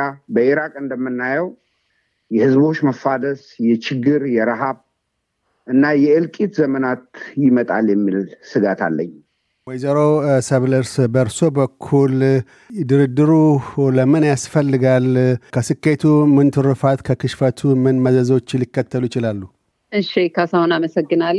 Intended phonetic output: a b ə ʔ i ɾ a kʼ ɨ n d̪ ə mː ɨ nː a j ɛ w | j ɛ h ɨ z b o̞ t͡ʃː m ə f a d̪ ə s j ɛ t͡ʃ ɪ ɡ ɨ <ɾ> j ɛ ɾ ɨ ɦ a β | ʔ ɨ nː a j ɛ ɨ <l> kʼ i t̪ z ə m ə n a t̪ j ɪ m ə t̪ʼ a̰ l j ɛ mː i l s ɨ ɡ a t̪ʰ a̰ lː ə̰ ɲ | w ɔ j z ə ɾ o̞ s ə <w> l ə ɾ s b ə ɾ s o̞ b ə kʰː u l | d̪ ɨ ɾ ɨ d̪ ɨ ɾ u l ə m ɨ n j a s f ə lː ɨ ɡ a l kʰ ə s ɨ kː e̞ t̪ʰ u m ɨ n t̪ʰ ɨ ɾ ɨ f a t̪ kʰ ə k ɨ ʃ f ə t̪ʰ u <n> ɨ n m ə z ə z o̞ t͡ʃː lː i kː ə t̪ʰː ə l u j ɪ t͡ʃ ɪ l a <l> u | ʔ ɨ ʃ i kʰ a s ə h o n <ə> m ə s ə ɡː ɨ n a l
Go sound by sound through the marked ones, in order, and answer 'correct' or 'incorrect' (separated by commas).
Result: correct, correct, incorrect, incorrect, incorrect, incorrect